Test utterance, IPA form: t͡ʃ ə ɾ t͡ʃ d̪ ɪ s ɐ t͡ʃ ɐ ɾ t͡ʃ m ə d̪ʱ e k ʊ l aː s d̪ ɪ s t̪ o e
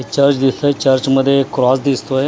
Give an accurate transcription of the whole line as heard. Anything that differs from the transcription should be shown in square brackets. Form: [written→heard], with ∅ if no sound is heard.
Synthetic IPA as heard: t͡ʃ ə ɾ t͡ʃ d̪ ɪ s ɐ t͡ʃ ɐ ɾ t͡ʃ m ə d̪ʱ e k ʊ [l→ɾ] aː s d̪ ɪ s t̪ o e

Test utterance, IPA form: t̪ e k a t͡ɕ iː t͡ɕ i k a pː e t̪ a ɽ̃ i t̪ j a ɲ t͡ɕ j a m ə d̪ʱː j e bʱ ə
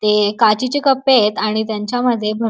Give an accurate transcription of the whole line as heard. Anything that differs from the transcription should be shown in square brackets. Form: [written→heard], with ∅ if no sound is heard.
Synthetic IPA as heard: t̪ e k a t͡ɕ [iː→i] t͡ɕ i k [a→ə] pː e t̪ a ɽ̃ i t̪ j a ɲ t͡ɕ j a m ə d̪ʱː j e bʱ ə

